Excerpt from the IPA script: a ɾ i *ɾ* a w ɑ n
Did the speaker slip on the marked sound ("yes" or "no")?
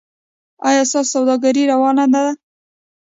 no